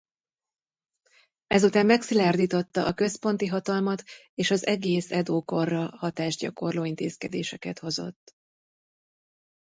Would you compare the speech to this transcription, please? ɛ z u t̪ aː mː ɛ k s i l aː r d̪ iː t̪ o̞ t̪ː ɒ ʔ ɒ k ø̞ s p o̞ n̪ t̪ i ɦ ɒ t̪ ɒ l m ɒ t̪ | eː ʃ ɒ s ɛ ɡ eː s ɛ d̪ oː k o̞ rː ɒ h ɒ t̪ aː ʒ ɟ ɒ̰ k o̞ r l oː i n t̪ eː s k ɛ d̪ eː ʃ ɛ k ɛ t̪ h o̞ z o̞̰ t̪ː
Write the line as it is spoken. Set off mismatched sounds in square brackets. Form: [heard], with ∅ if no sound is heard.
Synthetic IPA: ɛ z u t̪ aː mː ɛ k s i l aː r d̪ iː t̪ o̞ t̪ː ɒ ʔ ɒ k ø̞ s p o̞ n̪ t̪ i ɦ ɒ t̪ ɒ l m ɒ t̪ | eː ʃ ɒ [z] ɛ ɡ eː s ɛ d̪ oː k o̞ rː ɒ h ɒ t̪ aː ʒ ɟ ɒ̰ k o̞ r l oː i n t̪ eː s k ɛ d̪ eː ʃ ɛ k ɛ t̪ h o̞ z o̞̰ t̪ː